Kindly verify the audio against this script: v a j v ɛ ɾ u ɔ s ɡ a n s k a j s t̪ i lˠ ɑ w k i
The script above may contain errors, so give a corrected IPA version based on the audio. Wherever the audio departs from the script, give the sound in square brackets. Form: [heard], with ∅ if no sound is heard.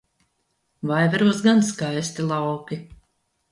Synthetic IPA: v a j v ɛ ɾ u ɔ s ɡ a n s k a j s t̪ i lˠ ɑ w k i